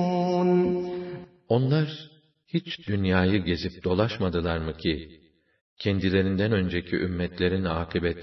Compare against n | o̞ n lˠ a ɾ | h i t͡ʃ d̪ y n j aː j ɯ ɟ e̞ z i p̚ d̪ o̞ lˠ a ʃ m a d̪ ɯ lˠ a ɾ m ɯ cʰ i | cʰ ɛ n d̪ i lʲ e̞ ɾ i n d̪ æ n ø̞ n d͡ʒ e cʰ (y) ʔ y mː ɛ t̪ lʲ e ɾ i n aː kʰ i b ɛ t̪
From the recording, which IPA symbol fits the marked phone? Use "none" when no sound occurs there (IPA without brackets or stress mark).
i